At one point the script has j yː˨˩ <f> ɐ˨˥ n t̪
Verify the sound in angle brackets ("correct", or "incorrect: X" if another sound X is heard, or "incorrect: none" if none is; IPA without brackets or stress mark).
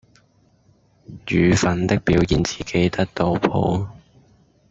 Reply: correct